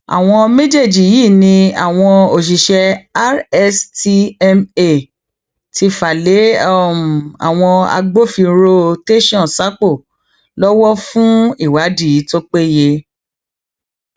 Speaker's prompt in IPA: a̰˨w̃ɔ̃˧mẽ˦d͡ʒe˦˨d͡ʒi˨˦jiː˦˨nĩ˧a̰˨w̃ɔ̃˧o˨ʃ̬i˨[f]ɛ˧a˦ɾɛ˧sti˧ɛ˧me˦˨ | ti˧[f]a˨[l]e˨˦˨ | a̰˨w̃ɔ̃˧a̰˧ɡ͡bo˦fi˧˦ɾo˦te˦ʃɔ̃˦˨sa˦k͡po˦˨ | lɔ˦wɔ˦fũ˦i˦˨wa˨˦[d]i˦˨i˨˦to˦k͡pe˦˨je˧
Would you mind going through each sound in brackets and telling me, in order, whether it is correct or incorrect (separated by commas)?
incorrect, correct, correct, correct